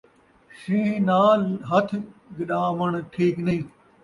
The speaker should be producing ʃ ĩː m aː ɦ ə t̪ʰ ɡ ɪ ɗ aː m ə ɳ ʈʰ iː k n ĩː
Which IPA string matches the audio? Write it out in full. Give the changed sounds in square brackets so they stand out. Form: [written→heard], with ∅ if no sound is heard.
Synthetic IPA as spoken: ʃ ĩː [m→n] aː ɦ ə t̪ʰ ɡ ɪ ɗ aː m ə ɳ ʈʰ iː k n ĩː